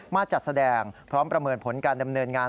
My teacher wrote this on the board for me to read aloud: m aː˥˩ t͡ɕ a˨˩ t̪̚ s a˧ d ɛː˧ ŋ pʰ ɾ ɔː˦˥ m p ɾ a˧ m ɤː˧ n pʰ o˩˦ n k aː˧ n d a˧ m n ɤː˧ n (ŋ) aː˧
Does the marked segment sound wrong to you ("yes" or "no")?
no